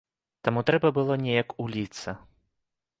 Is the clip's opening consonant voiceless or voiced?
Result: voiceless